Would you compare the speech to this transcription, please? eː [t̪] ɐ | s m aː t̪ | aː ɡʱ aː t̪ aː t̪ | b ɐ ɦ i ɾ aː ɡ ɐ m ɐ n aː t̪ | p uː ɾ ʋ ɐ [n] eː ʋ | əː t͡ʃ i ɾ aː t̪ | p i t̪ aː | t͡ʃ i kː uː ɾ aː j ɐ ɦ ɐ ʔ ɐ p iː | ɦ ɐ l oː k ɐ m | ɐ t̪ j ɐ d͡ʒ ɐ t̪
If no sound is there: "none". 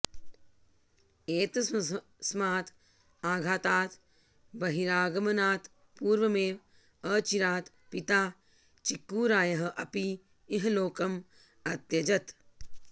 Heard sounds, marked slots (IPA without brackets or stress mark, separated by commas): t̪, m